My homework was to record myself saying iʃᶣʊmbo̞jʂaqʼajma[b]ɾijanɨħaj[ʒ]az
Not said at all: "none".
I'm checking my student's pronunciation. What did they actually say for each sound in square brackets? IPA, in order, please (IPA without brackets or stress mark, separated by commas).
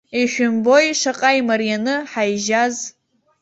none, ʒ